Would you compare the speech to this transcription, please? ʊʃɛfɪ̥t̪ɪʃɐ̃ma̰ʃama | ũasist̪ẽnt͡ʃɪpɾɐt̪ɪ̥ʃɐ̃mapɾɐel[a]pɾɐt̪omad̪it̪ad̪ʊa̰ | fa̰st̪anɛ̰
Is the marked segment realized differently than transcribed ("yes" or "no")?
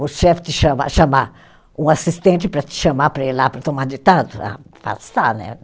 no